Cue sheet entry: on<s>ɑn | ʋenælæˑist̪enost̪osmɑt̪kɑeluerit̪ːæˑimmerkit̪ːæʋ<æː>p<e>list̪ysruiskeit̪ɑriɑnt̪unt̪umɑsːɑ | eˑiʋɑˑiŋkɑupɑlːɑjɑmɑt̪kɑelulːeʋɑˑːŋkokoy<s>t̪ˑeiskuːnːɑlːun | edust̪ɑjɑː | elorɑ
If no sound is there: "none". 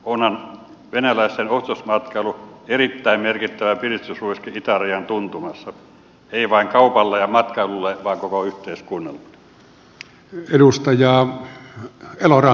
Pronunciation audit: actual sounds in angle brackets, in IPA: h, æ, i, h

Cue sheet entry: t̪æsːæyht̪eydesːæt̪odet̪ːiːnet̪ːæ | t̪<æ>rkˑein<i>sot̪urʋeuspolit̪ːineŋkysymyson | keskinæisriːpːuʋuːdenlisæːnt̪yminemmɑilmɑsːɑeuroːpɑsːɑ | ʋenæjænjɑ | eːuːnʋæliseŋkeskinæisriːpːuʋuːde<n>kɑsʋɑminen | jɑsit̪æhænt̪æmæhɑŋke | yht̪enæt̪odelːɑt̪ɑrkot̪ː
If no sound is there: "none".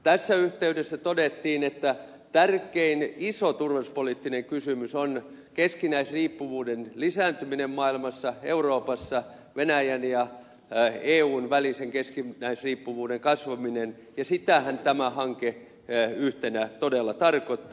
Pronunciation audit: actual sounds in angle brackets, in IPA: æ, i, ŋ

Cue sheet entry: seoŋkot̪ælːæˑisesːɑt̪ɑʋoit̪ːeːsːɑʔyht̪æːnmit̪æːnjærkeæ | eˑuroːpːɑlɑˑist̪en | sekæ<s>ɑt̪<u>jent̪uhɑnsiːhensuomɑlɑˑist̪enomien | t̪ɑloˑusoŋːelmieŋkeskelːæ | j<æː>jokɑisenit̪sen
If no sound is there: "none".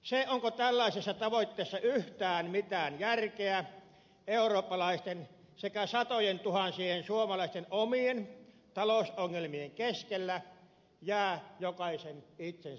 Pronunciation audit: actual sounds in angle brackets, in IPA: s, o, æː

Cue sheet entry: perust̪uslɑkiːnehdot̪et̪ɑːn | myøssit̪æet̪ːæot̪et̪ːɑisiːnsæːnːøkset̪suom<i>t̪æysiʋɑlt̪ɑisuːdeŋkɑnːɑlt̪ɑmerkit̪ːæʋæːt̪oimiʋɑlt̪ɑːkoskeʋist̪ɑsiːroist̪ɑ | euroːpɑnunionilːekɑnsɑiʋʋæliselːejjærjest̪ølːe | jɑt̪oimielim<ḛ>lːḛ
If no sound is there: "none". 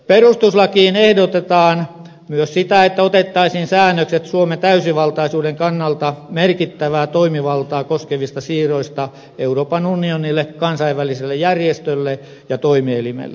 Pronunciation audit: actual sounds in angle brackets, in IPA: e, ḛ

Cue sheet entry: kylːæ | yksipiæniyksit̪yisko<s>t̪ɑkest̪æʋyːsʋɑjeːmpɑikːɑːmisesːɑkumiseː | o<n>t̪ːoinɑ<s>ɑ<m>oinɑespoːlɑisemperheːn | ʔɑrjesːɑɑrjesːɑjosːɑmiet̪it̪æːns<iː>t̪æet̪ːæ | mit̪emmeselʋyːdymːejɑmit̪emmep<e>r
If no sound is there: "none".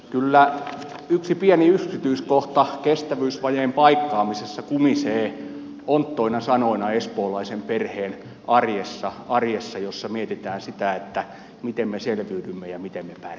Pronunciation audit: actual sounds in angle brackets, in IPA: h, n, s, n, i, æ

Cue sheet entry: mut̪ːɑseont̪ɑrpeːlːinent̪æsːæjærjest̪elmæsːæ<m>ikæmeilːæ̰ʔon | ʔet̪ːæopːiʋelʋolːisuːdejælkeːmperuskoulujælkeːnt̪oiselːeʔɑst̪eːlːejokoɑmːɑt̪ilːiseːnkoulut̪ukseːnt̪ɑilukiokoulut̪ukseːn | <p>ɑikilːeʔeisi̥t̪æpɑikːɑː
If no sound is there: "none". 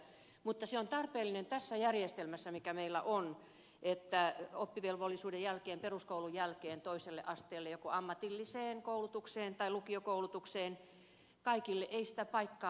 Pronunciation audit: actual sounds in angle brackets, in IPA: m, k

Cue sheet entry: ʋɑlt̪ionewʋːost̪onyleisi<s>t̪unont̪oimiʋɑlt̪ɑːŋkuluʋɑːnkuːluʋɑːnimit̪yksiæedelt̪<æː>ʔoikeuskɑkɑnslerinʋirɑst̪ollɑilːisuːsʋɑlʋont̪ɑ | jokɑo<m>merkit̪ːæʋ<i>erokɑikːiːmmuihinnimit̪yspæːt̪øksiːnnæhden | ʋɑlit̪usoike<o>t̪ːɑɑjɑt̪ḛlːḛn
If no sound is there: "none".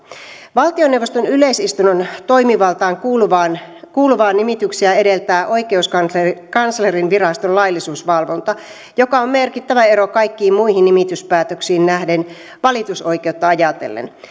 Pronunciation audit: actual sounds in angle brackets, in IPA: s, æː, m, æ, u

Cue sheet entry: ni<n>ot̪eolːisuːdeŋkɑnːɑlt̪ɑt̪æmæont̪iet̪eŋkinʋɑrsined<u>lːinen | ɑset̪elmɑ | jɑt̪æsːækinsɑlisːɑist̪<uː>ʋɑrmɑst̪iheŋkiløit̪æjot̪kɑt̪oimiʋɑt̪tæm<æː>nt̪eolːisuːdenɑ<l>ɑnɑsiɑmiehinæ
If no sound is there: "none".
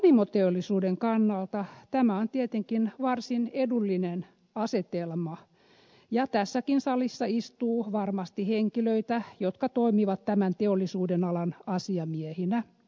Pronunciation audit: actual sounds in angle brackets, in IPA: m, u, uː, æ, l

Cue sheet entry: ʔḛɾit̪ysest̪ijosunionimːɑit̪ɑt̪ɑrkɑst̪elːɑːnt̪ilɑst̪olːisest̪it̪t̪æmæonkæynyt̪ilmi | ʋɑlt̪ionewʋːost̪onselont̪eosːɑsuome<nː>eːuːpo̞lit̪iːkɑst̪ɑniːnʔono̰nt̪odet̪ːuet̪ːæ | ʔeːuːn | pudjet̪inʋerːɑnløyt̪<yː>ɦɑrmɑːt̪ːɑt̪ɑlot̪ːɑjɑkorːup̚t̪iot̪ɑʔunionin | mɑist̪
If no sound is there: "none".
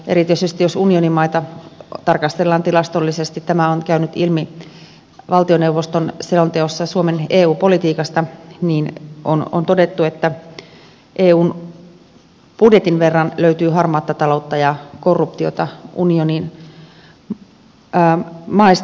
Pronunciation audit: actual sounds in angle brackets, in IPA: n, yː

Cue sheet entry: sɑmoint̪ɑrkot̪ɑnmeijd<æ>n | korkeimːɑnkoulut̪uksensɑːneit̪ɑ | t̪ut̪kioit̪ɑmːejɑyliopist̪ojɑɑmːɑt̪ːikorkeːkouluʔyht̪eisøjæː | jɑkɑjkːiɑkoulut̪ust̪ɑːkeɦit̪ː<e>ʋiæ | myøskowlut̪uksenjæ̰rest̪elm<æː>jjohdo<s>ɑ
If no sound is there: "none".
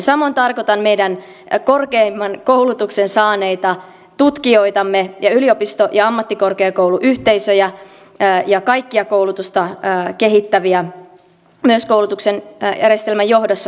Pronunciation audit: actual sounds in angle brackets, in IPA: æ, æ, æ, sː

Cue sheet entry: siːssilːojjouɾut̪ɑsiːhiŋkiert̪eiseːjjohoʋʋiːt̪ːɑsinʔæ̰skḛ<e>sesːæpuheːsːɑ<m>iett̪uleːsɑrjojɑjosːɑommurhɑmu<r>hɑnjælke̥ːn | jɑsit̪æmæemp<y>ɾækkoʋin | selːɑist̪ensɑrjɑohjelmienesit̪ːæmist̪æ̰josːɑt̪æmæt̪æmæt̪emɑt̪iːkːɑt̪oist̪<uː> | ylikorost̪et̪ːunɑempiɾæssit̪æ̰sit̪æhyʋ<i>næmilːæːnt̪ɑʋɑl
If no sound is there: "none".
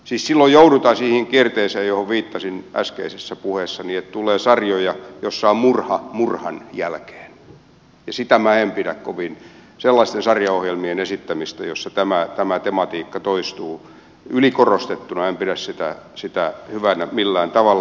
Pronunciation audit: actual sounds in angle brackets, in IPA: i, n, r, i, uː, æ

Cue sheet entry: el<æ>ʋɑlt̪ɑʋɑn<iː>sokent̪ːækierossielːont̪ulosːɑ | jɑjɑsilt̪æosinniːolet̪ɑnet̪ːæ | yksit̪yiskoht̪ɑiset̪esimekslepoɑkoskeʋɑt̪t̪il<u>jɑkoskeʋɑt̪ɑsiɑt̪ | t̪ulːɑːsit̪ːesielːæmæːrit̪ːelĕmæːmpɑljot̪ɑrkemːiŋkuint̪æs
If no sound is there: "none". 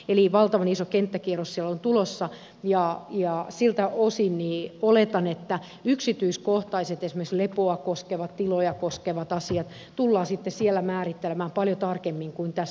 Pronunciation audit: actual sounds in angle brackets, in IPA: i, i, o

